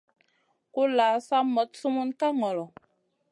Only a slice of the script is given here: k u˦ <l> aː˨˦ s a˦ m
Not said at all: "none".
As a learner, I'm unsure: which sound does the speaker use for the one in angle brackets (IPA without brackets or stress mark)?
l